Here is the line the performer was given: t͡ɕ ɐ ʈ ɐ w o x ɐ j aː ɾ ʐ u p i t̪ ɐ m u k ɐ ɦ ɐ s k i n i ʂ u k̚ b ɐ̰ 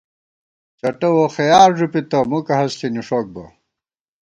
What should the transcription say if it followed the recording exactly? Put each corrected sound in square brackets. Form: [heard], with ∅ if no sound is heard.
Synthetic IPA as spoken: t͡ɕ ɐ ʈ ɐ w o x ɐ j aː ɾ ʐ u p i t̪ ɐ m u k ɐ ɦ ɐ s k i n i ʂ [o] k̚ b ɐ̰